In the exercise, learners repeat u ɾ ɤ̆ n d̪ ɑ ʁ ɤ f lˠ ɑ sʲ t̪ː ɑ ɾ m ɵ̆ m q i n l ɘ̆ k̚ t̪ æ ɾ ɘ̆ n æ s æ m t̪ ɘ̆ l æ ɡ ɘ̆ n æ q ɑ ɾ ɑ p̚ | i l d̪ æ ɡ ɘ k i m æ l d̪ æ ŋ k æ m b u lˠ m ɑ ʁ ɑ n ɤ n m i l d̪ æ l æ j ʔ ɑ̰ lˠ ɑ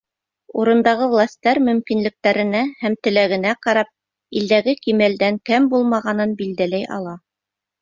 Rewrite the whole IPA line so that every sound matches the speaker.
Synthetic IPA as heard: u ɾ ɤ̆ n d̪ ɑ ʁ ɤ v lˠ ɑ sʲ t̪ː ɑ ɾ m ɵ̆ m k i n l ɘ̆ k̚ t̪ æ ɾ ɘ̆ n æ h æ m t̪ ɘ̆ l æ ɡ ɘ̆ n æ q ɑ ɾ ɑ p̚ | i l d̪ æ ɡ ɘ k i m æ l d̪ æ ŋ k æ m b u lˠ m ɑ ʁ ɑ n ɤ n b i l d̪ æ l æ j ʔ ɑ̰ lˠ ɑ